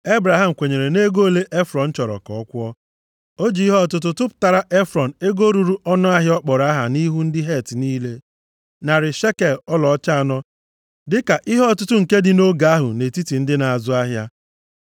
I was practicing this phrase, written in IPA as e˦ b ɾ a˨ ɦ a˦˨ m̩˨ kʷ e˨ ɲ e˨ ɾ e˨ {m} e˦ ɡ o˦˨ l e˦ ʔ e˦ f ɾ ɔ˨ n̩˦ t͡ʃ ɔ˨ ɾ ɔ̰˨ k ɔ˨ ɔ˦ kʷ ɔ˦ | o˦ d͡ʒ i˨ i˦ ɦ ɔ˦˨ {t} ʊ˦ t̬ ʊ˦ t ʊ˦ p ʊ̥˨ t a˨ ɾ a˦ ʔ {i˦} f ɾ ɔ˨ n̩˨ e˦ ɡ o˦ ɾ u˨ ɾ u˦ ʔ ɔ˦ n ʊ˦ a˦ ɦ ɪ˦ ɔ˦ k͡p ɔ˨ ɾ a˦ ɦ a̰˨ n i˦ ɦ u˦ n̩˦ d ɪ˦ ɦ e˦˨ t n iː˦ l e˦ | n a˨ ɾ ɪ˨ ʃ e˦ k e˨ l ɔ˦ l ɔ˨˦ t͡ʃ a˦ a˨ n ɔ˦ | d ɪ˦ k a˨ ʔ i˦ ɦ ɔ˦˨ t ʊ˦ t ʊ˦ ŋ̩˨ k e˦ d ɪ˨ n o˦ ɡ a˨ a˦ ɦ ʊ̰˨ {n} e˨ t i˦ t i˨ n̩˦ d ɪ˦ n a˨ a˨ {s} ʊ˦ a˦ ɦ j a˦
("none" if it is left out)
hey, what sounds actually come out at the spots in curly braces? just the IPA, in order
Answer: n, t, e˦, n, z

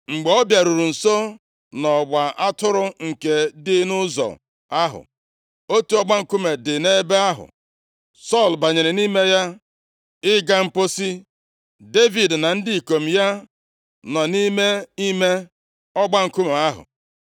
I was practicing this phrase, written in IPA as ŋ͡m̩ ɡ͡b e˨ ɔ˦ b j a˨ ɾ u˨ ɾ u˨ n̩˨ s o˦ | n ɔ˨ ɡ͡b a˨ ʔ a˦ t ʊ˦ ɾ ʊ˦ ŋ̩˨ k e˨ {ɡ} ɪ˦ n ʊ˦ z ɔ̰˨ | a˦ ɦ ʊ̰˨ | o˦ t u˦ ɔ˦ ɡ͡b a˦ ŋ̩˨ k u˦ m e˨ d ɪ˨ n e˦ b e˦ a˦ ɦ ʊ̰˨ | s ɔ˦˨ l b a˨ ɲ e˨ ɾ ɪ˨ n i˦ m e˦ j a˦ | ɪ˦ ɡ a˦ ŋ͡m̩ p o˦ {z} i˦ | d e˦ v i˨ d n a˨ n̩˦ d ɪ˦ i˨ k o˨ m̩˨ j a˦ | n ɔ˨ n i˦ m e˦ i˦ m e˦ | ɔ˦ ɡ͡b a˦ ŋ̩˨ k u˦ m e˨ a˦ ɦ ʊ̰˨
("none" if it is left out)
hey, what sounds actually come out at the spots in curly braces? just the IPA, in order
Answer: d, s

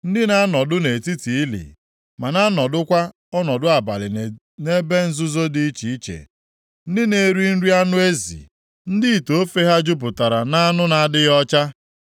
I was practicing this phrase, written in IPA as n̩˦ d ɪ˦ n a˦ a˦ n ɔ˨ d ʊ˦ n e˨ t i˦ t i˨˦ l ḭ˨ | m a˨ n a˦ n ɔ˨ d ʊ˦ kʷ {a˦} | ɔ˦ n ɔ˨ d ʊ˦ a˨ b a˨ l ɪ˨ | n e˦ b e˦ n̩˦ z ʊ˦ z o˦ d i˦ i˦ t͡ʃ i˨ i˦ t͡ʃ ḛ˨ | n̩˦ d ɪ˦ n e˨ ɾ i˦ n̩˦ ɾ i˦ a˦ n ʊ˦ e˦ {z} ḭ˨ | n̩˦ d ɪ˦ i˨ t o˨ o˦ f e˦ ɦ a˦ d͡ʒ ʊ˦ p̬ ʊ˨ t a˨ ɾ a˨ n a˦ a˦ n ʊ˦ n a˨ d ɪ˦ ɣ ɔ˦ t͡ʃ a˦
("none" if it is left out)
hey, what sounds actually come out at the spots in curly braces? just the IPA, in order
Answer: a˦, z

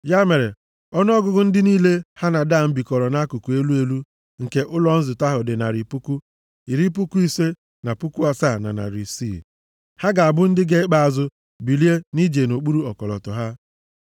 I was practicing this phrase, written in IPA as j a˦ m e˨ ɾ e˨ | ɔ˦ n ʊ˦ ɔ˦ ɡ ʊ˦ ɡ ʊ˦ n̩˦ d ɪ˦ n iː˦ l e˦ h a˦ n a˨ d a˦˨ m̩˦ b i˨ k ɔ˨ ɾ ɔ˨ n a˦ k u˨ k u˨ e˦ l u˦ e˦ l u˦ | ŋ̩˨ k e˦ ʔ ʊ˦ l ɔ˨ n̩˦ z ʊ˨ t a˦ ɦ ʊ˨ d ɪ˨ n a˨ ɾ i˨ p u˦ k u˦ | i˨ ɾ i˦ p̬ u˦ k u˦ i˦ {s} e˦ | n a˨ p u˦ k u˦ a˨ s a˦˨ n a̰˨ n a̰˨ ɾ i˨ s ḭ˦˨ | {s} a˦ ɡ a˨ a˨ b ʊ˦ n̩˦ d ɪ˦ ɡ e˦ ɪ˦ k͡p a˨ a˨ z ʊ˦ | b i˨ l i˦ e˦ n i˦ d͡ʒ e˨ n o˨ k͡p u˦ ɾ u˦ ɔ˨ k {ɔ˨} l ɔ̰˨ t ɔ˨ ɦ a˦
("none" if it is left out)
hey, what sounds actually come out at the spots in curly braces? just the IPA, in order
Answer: s, h, ɔ˨

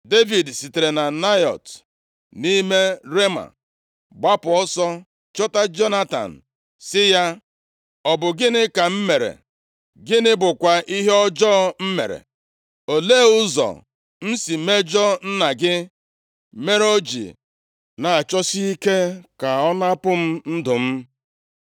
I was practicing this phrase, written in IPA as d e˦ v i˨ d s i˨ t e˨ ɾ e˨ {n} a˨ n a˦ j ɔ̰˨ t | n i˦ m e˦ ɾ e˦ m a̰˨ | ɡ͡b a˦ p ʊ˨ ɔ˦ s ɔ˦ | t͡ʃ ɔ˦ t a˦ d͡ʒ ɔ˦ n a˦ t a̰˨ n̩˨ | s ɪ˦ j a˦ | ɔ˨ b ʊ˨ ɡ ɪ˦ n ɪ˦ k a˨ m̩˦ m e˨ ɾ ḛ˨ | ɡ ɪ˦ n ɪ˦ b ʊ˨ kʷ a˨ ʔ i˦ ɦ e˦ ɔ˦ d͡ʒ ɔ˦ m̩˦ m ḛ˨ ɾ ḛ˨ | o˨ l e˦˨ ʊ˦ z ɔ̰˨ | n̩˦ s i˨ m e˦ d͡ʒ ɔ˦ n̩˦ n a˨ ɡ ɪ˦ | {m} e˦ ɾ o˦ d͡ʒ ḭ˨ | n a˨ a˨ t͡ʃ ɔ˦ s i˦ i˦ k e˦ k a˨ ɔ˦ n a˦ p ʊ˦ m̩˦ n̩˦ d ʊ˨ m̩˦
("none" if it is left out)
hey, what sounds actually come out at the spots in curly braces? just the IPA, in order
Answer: n, m

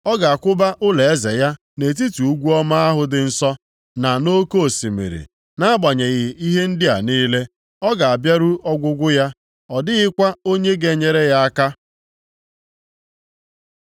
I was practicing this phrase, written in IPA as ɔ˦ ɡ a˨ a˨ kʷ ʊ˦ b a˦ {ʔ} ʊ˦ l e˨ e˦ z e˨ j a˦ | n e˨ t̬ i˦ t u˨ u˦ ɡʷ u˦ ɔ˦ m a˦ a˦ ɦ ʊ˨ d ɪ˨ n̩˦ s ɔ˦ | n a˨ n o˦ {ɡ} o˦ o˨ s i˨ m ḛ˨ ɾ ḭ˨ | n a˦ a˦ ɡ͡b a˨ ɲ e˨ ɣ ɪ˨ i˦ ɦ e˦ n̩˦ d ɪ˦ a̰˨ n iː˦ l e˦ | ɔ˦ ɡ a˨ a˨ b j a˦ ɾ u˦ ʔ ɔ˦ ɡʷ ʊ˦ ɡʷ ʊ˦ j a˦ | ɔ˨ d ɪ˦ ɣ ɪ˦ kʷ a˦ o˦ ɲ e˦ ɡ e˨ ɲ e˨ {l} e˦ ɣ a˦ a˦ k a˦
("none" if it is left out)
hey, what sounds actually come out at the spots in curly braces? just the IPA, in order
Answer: ʔ, k, ɾ

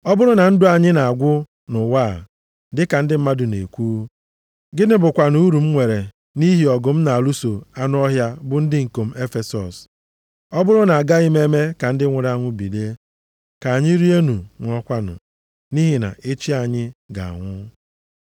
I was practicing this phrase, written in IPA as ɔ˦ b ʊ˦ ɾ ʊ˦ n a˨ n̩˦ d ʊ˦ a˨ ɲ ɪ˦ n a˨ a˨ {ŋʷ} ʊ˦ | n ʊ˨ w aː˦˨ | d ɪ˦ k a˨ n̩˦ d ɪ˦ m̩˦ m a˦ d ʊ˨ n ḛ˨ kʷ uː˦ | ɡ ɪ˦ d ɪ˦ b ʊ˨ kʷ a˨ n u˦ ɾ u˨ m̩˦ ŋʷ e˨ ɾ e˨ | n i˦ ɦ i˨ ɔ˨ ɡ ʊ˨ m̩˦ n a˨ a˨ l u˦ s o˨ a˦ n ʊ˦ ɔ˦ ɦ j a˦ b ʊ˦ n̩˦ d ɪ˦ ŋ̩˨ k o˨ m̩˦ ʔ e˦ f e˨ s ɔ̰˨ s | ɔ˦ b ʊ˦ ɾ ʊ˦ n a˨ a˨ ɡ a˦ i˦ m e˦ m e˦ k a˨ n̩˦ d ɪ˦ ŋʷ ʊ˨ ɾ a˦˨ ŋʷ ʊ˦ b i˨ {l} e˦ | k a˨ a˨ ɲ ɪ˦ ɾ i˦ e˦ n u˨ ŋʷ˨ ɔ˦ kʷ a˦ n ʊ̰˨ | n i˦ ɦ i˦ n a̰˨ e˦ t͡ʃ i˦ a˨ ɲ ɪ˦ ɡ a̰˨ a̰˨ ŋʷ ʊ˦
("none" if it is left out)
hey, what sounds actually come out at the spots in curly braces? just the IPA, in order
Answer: ɡʷ, l

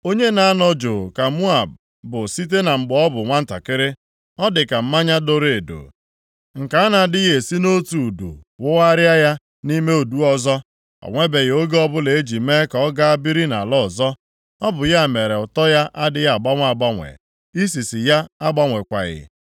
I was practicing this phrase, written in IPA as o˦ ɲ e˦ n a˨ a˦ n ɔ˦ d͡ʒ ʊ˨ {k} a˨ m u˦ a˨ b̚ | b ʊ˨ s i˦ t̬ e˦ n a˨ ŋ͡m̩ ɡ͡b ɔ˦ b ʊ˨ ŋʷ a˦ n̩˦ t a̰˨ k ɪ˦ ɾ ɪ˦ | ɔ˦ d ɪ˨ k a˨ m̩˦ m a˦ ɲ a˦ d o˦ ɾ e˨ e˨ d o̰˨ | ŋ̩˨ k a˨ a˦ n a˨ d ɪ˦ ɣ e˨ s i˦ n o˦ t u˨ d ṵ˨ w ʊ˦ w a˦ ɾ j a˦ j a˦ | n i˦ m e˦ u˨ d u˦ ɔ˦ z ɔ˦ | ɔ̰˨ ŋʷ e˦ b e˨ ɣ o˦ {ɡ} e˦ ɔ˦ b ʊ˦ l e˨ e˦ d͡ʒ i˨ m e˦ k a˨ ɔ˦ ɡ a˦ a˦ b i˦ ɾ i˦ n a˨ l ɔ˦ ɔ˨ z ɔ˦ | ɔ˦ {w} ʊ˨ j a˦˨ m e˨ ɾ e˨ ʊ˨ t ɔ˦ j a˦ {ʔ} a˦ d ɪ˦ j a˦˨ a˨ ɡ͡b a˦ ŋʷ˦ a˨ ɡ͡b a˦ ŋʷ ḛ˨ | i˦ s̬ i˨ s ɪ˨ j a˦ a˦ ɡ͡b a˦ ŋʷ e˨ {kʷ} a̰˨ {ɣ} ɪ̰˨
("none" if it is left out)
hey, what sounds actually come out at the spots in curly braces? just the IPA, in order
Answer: k, ɡ, b, ʔ, kʷ, ɣ

